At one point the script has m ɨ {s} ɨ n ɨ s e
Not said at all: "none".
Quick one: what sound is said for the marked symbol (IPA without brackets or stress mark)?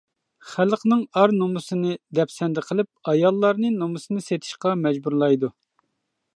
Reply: s